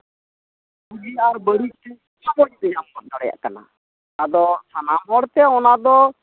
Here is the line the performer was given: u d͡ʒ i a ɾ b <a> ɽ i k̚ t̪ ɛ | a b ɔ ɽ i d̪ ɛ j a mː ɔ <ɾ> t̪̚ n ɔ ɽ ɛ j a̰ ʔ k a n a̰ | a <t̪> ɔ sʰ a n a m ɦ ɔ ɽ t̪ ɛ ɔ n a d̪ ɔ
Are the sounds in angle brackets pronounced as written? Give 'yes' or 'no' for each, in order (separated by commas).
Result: no, no, no